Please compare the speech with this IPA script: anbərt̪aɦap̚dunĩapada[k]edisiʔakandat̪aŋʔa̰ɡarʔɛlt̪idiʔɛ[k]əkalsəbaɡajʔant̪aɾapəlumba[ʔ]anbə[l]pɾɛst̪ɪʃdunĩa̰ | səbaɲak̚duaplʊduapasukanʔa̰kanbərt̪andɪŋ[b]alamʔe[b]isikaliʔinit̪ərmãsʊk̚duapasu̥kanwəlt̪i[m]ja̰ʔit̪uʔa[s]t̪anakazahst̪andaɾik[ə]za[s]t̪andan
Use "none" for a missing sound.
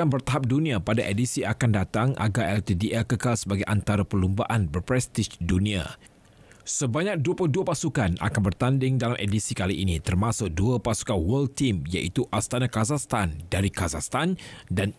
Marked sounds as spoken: ʔ, k, ʔ, r, d, d, m, s, a, s

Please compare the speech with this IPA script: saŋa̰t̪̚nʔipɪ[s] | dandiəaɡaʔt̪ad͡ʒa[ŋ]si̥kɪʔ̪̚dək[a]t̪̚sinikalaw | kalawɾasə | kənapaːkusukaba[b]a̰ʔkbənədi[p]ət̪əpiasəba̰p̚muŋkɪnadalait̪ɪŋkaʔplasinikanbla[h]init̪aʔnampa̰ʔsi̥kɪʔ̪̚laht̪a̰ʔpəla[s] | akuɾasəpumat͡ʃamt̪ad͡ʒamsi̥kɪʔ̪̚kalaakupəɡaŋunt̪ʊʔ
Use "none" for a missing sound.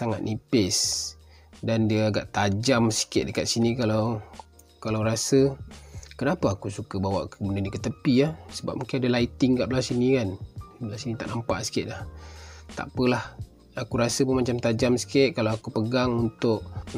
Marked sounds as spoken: s, m, a, w, k, s, h

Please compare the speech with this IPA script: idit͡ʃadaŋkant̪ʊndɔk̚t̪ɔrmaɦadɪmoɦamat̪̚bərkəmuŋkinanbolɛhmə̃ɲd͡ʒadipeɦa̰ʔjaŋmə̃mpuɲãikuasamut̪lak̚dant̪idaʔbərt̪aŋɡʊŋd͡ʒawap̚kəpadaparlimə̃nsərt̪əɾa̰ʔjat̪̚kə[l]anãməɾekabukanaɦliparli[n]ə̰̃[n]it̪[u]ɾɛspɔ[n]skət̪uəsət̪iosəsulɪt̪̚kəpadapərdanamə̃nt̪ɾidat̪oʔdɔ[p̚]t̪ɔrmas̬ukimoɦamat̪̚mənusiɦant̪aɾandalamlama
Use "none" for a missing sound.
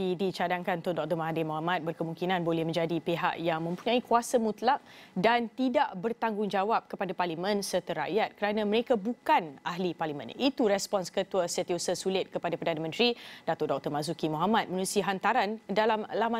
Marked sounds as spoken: ɾ, m, n, u, n, k̚

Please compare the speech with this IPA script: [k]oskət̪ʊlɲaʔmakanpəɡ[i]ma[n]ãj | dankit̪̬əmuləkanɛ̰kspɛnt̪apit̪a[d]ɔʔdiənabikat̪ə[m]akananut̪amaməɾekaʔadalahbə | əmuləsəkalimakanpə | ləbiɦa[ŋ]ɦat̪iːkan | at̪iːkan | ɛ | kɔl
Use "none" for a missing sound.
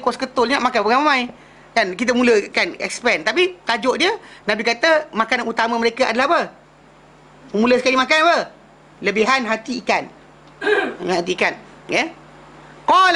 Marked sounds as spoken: k, a, m, d͡ʒ, m, n

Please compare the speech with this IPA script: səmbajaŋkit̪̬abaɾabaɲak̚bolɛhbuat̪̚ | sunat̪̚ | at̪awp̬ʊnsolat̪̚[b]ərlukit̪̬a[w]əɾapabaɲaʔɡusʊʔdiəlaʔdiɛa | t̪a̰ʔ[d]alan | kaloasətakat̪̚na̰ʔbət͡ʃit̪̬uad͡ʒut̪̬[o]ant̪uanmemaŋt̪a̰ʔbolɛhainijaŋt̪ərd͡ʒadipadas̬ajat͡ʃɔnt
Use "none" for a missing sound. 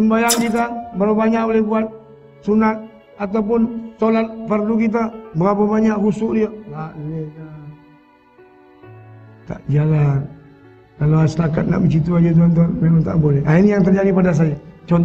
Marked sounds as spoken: p, b, d͡ʒ, u

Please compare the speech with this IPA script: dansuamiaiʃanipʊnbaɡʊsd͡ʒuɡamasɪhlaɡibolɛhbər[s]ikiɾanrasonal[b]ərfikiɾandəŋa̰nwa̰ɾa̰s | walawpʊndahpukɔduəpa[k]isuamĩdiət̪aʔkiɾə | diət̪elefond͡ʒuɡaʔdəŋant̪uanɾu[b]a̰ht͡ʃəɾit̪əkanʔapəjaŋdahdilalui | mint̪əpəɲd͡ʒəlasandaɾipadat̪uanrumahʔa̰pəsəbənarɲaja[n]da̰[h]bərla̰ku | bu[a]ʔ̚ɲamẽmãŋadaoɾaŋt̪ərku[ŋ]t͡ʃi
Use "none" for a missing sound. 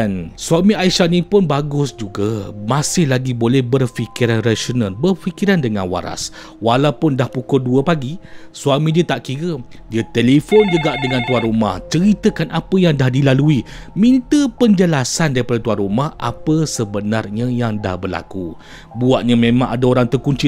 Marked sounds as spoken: f, b, ɡ, m, ŋ, h, a, ɲ

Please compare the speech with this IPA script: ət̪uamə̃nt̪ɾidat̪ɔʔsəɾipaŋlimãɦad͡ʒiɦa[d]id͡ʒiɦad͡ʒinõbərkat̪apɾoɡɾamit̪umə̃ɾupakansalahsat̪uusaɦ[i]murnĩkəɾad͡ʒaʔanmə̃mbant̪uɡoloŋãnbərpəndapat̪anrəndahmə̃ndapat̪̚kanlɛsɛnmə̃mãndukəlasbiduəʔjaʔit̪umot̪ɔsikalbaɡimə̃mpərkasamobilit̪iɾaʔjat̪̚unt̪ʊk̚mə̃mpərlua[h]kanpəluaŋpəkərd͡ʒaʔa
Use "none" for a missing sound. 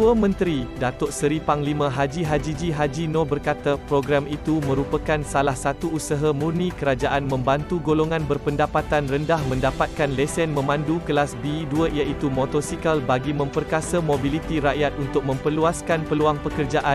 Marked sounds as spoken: d͡ʒ, a, s

